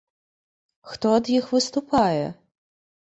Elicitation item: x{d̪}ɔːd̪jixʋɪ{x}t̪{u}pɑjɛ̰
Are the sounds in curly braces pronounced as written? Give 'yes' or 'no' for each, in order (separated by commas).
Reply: no, no, no